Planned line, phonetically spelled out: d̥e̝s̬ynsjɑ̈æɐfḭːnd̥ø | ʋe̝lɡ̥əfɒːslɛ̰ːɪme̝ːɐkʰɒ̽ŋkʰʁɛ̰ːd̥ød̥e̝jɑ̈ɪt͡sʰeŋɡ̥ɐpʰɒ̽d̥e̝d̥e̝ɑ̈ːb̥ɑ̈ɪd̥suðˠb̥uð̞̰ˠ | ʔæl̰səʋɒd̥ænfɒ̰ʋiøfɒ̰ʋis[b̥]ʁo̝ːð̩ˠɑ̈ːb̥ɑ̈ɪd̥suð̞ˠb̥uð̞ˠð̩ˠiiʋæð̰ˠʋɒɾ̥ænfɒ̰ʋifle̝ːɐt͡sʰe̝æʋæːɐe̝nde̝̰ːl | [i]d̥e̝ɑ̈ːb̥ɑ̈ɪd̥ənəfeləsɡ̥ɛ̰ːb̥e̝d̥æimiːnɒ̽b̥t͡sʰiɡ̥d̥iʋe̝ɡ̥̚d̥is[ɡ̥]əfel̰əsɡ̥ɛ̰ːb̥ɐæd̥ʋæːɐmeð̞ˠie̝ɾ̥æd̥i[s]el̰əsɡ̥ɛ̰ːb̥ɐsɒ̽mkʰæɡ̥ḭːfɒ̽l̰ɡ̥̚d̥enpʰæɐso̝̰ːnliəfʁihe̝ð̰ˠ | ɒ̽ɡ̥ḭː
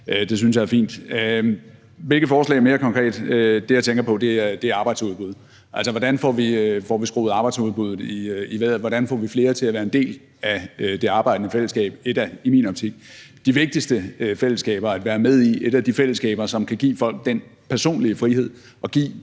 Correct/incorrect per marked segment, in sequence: incorrect: ɡ̥, incorrect: æ, incorrect: d̥, incorrect: f

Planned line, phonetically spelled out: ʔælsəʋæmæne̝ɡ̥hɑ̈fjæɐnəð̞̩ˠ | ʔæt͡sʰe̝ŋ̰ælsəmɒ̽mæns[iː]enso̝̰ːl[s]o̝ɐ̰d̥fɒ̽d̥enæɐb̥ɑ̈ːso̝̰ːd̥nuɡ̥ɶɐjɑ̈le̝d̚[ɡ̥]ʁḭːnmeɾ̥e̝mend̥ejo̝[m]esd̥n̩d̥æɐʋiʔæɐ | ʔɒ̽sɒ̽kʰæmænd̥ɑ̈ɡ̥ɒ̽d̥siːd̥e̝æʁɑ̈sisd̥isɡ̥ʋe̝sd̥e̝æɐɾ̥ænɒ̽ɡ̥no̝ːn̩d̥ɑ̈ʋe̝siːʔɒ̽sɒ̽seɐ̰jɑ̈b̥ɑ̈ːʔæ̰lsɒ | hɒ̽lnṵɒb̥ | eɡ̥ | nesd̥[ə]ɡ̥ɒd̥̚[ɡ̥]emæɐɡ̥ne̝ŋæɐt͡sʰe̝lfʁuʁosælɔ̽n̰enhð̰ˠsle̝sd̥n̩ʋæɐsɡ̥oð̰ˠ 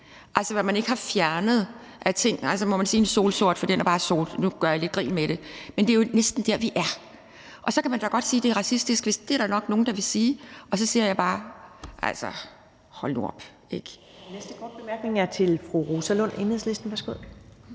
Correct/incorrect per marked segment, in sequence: correct, correct, correct, incorrect: n, correct, incorrect: b̥

